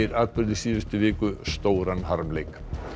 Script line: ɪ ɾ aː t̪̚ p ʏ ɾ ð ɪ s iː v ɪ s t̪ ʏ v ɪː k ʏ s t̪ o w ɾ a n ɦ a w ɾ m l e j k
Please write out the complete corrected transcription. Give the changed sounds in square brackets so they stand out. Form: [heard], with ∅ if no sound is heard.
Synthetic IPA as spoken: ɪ ɾ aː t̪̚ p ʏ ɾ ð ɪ s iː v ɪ s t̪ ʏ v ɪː k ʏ s t̪ o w ɾ a n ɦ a [∅] ɾ m l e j k